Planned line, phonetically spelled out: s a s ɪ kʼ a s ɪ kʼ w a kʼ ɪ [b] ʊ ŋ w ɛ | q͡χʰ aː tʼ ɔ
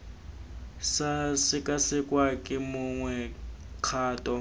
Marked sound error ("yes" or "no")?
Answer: yes